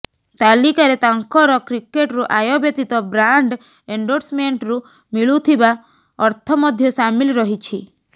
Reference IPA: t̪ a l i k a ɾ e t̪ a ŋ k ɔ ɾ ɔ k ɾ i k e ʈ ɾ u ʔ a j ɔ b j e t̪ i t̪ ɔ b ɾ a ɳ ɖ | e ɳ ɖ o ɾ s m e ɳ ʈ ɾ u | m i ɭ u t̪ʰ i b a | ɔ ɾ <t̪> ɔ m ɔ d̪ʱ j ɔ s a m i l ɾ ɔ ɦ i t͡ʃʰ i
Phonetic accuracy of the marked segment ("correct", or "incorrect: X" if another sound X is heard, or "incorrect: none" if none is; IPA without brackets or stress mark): incorrect: t̪ʰ